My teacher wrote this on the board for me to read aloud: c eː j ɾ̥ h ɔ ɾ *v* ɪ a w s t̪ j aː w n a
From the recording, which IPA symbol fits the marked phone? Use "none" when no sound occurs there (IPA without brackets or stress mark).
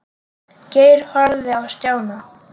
ð